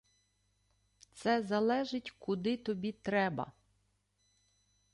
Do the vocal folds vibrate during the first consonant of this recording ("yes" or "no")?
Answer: no